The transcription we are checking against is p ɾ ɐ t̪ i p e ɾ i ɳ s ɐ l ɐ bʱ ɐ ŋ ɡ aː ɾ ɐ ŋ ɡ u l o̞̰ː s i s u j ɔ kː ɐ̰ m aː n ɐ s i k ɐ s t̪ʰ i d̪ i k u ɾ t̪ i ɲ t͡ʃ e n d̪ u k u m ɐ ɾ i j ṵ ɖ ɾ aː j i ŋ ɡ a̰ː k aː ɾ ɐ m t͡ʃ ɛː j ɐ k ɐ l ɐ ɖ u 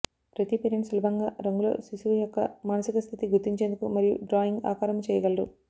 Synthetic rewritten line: p ɾ ɐ t̪ i p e ɾ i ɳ s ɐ l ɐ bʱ ɐ ŋ ɡ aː ɾ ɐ ŋ ɡ u l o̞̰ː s i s u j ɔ kː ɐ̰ m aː n ɐ s i k ɐ s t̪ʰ i t̪ i ɡ u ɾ t̪ i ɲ t͡ʃ e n d̪ u k u m ɐ ɾ i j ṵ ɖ ɾ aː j i ŋ ɡ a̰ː k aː ɾ ɐ m t͡ʃ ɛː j ɐ ɡ ɐ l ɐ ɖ u